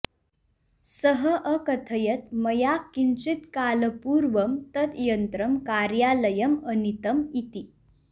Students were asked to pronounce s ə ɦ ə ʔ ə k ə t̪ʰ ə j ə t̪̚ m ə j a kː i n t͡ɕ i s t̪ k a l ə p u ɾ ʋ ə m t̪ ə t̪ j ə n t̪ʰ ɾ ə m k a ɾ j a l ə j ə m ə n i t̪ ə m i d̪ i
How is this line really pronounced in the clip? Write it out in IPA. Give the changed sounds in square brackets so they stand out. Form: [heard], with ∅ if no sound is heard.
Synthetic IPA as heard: s ə ɦ ə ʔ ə k ə t̪ʰ ə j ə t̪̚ m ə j a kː i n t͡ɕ i [∅] t̪ k a l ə p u ɾ ʋ ə m t̪ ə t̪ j ə n [t̪] ɾ ə m k a ɾ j a l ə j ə m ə n i t̪ ə m i [t̪] i